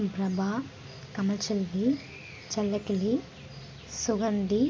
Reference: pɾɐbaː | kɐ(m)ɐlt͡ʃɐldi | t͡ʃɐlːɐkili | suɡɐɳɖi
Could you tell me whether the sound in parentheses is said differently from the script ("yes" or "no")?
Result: no